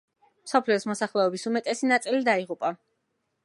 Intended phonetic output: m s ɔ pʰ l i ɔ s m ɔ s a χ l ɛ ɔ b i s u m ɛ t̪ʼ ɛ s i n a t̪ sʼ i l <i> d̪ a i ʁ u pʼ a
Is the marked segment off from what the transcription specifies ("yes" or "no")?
no